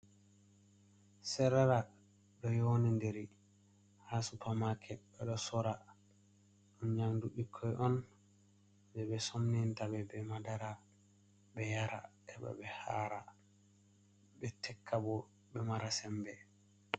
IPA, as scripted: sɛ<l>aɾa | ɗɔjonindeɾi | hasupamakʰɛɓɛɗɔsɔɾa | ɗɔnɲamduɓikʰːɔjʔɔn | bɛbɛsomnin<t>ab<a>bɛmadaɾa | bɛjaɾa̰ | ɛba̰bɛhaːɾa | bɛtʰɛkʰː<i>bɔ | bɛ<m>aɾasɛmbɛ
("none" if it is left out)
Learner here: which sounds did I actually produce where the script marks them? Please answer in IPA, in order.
ɾ, t, ɛ, a, m

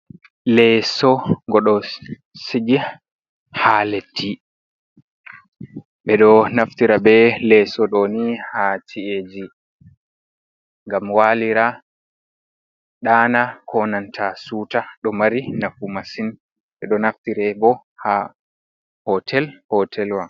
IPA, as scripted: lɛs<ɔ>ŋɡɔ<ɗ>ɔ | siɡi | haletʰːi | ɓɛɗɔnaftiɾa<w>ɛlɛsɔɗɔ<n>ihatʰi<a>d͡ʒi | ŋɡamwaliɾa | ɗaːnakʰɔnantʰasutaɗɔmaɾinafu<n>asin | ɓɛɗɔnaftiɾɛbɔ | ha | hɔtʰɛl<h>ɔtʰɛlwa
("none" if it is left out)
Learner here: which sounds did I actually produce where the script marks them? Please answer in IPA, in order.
ɔ, ɗ, b, n, e, m, h

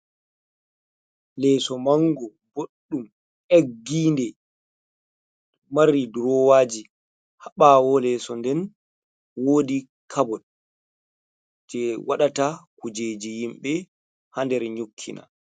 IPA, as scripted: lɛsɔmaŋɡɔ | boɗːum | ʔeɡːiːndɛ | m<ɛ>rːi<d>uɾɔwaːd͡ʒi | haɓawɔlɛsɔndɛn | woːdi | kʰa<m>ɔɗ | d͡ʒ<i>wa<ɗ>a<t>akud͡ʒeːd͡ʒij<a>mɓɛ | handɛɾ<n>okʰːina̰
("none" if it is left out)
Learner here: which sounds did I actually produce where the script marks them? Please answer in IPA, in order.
a, d, b, ɛ, ɗ, t, i, ɲ

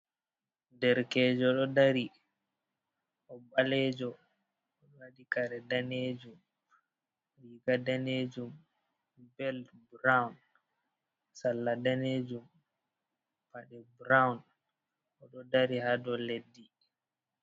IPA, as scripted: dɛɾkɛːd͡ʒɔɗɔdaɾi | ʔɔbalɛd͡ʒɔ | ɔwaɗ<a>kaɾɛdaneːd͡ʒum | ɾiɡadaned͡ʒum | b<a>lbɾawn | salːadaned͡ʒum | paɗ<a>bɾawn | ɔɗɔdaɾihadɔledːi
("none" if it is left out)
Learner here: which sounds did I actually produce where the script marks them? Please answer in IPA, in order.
i, ɛ, ɛ

